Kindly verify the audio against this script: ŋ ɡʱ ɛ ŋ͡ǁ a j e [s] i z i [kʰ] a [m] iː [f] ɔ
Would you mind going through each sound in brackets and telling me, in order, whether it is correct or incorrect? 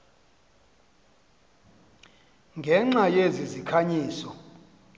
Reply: incorrect: z, correct, incorrect: ɲ, incorrect: s

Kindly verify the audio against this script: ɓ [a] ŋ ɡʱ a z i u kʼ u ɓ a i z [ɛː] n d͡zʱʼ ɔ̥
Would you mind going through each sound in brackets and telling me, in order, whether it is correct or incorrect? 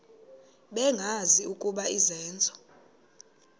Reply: incorrect: ɛ, correct

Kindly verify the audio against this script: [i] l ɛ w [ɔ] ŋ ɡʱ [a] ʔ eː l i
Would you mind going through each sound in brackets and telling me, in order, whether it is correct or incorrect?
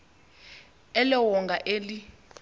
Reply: incorrect: ɛ, correct, correct

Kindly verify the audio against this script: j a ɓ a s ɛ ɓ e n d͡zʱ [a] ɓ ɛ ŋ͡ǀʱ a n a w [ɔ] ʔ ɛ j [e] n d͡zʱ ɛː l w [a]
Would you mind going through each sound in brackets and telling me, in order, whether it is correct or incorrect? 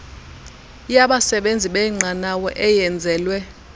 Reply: incorrect: i, correct, incorrect: ɛ, incorrect: ɛ

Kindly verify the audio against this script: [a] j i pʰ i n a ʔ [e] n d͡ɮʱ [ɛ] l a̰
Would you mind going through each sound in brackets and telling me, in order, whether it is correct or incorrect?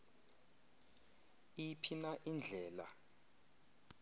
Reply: incorrect: i, incorrect: i, incorrect: ɛː

